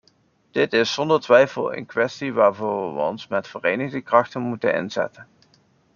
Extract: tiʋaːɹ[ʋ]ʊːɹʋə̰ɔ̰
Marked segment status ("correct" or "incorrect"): incorrect